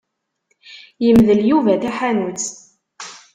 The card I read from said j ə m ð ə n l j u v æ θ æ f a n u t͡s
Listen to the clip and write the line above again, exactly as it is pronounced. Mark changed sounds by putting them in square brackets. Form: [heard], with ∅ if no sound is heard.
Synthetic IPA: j ə m ð ə [∅] l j u v æ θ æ [ħ] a n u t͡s